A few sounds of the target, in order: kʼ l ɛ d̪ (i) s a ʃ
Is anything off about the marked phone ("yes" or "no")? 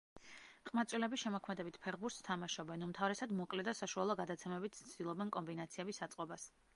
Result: yes